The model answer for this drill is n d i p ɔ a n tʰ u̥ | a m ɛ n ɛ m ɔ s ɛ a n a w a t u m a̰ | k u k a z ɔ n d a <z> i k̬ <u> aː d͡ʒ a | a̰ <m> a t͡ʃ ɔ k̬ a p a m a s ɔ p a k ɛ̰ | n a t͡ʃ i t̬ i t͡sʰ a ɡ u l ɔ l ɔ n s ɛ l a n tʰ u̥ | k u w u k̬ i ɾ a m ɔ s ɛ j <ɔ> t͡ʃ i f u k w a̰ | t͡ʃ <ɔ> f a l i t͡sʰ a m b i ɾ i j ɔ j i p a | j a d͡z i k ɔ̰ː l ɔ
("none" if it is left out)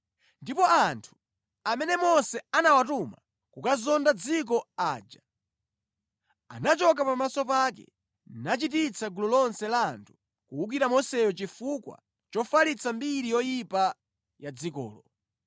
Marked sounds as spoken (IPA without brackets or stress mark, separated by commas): d͡z, ɔ, n, ɔ, ɔ